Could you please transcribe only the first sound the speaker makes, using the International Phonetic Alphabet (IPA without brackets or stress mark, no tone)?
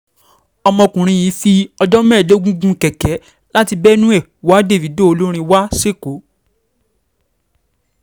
ɔ